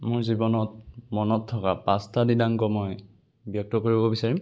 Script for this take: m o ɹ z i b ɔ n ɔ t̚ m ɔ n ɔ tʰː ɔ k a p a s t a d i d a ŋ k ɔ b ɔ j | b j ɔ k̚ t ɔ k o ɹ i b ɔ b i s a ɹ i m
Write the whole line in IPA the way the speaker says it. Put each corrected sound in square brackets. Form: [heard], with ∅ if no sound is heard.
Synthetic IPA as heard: m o ɹ z i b ɔ n ɔ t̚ m ɔ n ɔ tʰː ɔ k a p a s t a d i d a ŋ k ɔ [m] ɔ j | b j ɔ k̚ t ɔ k o ɹ i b ɔ b i s a ɹ i m